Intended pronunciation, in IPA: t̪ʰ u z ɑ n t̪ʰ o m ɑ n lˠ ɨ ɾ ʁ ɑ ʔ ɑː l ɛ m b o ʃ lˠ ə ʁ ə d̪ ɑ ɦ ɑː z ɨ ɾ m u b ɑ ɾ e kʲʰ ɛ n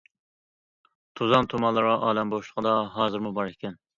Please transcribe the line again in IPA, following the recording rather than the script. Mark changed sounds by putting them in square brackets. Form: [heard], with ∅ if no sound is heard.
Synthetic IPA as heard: t̪ʰ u z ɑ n t̪ʰ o m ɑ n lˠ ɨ ɾ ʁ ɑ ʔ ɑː l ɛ m b o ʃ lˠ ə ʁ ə d̪ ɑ ɦ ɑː z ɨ ɾ m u b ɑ ɾ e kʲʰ ɛ n